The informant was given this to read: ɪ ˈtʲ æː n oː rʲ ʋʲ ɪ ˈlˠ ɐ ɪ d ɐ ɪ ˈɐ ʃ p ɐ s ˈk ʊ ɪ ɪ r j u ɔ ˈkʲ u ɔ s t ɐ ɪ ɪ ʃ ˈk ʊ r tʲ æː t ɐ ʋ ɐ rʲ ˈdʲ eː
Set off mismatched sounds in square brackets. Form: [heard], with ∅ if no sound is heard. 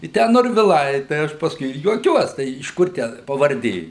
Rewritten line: ɪ ˈtʲ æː n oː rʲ ʋʲ ɪ ˈlˠ ɐ ɪ [t] ɐ ɪ ˈɐ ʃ p ɐ s ˈk ʊ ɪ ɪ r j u ɔ ˈkʲ u ɔ s t ɐ ɪ ɪ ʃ ˈk ʊ r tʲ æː [p] ɐ ʋ ɐ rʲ ˈdʲ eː